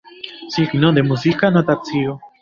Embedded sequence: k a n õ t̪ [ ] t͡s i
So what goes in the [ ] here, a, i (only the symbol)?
a